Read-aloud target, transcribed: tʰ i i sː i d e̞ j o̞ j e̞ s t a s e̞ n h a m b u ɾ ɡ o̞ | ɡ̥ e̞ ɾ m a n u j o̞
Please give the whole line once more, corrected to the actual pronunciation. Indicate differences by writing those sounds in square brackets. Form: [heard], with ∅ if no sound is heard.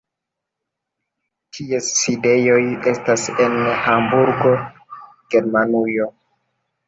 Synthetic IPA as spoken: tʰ i [e] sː i d e̞ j o̞ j e̞ s t a s e̞ n h a m b u ɾ ɡ o̞ | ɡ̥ e̞ ɾ m a n u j o̞